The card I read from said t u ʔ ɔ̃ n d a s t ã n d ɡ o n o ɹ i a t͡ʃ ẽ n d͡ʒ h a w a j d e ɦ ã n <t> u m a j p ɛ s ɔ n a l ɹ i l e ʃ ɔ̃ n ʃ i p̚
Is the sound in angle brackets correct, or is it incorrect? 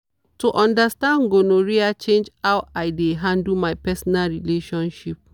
incorrect